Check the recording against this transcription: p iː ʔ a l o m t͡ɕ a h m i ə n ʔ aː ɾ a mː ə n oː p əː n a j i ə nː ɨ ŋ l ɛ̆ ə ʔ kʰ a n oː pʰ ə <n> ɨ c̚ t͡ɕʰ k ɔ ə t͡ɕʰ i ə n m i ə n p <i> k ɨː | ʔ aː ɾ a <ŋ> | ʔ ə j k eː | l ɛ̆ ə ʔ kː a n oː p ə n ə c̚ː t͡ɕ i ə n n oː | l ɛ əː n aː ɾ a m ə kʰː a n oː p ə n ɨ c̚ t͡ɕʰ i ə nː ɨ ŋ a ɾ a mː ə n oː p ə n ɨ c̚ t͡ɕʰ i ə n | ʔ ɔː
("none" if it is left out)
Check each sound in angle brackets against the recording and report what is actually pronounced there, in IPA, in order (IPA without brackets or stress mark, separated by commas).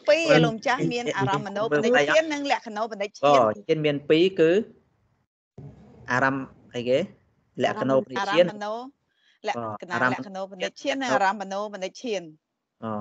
n, iː, m